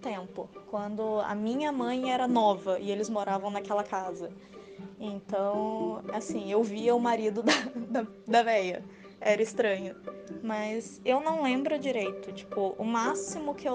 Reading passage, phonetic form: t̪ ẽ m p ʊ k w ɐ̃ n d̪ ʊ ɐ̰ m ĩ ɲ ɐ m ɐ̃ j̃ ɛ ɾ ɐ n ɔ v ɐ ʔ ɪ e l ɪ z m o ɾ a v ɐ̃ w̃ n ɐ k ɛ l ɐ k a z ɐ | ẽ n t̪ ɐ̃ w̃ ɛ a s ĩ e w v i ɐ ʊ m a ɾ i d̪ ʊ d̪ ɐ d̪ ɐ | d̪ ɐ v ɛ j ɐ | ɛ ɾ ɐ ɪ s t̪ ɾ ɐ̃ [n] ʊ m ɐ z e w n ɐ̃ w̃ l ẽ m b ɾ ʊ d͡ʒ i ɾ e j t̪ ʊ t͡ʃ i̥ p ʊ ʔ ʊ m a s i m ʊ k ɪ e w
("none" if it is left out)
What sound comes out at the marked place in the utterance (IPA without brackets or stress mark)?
ɲ